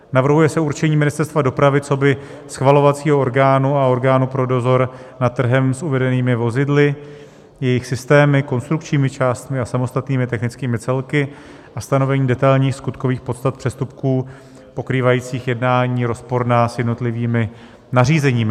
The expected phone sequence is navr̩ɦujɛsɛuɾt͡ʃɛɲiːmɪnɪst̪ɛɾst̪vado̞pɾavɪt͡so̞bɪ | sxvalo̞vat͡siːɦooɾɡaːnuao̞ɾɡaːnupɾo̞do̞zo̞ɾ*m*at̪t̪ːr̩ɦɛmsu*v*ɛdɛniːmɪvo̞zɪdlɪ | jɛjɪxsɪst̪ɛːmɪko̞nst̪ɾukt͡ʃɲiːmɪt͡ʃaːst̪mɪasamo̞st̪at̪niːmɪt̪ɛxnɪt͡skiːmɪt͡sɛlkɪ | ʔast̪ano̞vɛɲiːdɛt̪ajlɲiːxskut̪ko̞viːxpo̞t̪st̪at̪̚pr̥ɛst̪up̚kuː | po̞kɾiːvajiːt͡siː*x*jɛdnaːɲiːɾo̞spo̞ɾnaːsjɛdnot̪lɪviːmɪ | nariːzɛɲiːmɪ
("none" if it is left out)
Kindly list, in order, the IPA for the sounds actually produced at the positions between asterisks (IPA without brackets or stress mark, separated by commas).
n, v, x